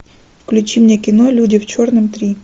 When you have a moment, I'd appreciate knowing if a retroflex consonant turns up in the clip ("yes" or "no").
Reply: no